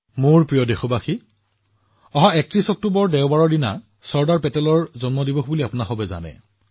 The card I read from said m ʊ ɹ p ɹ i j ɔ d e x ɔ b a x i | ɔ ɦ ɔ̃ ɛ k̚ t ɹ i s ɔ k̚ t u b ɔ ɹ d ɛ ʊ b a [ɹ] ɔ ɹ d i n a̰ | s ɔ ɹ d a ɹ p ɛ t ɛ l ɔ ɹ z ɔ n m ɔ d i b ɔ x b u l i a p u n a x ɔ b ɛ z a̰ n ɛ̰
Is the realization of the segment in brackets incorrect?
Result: no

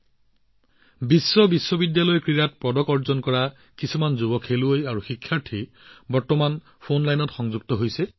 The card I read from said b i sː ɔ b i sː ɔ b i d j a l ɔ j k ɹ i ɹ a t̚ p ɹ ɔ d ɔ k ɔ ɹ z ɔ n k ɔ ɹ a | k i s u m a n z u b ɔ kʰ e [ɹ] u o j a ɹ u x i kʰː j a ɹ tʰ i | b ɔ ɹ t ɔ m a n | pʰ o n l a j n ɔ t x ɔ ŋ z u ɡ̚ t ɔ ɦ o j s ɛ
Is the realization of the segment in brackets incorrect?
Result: yes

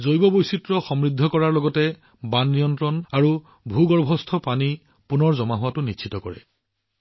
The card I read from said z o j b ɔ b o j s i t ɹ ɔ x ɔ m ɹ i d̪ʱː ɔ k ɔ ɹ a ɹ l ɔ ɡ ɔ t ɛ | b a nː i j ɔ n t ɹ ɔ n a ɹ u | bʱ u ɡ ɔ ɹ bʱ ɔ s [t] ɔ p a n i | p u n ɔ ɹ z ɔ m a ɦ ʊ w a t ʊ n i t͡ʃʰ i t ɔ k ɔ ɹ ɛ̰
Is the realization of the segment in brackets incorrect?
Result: yes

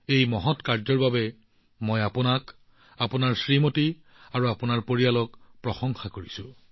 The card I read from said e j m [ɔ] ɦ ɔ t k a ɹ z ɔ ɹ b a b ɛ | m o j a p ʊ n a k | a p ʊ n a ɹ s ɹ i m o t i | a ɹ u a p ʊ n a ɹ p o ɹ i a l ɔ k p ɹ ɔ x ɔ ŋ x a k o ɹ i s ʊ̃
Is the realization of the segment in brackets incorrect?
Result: no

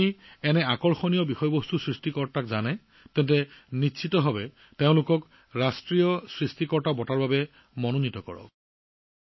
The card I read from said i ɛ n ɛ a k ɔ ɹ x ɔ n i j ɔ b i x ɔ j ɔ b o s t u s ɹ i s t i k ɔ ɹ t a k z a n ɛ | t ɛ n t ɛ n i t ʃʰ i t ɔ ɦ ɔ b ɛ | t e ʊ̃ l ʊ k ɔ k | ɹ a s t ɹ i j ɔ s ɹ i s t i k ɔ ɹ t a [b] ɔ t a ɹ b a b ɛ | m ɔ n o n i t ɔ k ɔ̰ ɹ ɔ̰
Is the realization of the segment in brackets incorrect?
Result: no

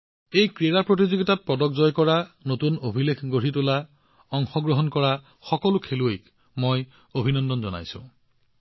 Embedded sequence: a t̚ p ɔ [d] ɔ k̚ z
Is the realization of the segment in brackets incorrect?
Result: no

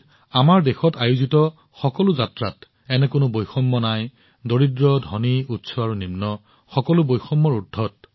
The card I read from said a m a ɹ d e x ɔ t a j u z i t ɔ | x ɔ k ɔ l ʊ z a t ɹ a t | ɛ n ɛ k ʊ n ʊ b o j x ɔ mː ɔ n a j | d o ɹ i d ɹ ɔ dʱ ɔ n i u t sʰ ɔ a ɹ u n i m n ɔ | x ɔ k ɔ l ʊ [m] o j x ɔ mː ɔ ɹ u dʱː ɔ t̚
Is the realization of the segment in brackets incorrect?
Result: yes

